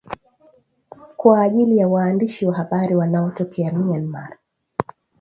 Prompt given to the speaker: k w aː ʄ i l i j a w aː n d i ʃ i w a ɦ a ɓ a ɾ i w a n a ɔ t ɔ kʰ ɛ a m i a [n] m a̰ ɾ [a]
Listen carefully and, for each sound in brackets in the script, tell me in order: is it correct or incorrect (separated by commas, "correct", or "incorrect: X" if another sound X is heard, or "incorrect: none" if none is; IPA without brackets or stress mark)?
correct, correct